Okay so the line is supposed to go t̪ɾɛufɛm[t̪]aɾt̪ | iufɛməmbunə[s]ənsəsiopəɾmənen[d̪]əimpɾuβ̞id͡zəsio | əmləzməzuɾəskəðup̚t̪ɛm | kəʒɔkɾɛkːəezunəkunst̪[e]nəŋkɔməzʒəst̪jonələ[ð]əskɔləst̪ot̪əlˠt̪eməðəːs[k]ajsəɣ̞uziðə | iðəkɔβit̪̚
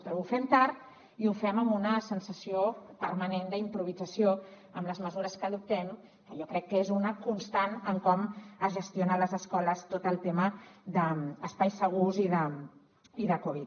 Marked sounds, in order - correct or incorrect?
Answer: correct, correct, correct, incorrect: a, incorrect: z, incorrect: p

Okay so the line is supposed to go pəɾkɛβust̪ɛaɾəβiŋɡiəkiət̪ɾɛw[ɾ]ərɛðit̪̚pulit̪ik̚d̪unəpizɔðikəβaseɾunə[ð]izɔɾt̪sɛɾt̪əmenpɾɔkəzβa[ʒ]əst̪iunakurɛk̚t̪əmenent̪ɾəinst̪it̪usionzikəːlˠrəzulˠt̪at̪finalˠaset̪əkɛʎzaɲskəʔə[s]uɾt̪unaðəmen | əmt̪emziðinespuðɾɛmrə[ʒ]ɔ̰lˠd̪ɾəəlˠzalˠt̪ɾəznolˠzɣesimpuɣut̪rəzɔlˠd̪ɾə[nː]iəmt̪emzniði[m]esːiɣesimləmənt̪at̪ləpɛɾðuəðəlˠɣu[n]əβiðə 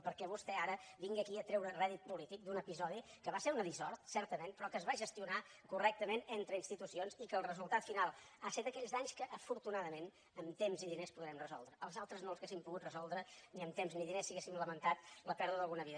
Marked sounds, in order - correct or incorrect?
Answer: correct, correct, correct, incorrect: f, incorrect: z, incorrect: n, incorrect: n, correct

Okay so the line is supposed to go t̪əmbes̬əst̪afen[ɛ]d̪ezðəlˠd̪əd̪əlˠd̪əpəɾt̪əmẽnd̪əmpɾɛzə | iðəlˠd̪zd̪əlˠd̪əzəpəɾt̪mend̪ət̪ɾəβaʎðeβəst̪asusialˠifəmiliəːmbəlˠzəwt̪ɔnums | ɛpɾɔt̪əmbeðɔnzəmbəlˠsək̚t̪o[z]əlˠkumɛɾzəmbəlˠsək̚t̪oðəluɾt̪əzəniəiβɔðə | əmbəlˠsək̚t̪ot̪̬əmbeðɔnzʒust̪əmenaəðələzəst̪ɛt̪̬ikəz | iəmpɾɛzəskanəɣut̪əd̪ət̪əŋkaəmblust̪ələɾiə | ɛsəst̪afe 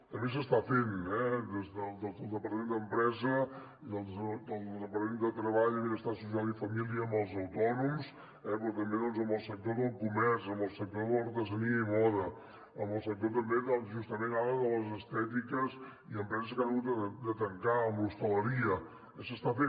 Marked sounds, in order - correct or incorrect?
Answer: correct, incorrect: ð

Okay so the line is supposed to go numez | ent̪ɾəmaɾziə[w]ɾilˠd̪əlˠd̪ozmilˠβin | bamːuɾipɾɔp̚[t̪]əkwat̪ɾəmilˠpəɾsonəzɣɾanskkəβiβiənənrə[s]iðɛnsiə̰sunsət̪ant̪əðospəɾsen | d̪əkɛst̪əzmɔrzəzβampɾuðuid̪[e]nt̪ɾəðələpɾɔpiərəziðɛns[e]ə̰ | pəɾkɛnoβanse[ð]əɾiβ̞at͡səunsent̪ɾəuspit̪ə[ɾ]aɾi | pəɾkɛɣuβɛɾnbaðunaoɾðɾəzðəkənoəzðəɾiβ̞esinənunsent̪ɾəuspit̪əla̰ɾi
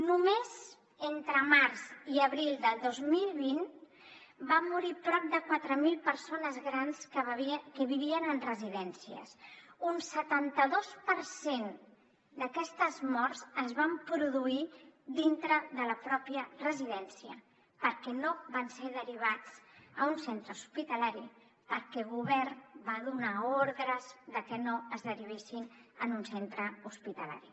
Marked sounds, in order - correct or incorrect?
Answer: incorrect: β, incorrect: d̪, incorrect: z, incorrect: i, incorrect: i, correct, incorrect: l

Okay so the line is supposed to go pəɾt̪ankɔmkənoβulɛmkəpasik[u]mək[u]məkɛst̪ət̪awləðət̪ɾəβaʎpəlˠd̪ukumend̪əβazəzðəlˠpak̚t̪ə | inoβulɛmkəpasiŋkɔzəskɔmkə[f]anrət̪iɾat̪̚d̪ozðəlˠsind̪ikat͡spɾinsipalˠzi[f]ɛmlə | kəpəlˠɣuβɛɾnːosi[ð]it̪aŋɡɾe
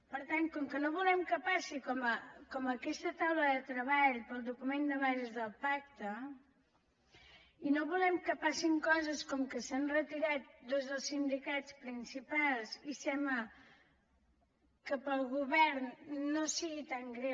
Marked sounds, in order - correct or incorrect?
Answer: incorrect: ɔ, incorrect: ɔ, incorrect: s, incorrect: s, incorrect: ɣ

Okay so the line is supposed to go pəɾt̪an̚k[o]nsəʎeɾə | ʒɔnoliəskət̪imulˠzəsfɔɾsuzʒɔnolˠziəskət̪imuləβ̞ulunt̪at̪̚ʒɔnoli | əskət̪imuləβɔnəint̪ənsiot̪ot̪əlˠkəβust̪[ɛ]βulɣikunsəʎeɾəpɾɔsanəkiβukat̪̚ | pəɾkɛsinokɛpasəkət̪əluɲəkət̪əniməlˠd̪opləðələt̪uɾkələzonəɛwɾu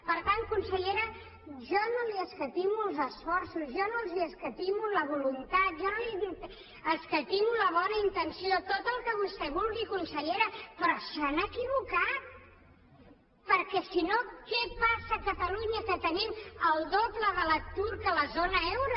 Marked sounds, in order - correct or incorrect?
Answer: incorrect: u, correct

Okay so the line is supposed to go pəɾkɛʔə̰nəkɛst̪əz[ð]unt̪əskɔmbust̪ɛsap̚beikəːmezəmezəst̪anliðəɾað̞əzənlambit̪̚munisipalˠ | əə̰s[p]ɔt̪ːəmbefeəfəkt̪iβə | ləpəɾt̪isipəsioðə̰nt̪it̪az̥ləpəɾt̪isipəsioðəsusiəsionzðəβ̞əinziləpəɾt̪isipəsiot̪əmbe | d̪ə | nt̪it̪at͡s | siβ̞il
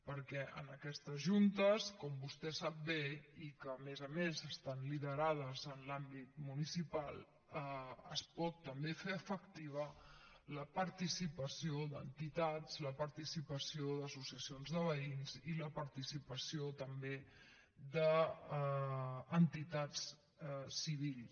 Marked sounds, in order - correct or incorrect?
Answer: incorrect: ʒ, correct

